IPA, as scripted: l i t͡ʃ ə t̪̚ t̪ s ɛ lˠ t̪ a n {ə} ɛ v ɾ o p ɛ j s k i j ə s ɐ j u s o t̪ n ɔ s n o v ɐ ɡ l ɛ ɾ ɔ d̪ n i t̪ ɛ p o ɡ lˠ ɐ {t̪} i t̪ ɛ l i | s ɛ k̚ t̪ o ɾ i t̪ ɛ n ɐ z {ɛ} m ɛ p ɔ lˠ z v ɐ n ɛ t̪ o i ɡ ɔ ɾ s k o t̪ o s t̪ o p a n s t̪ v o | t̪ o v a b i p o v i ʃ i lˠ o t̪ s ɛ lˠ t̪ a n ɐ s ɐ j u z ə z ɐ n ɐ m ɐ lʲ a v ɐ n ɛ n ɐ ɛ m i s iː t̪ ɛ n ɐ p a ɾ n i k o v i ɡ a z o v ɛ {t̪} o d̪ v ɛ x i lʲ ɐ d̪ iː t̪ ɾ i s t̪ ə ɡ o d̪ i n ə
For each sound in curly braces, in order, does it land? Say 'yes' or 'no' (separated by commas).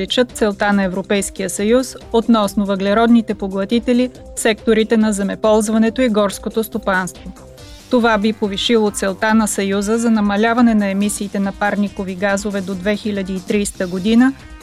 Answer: no, yes, yes, no